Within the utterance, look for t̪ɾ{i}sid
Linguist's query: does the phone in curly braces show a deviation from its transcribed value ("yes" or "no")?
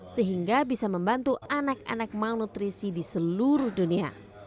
no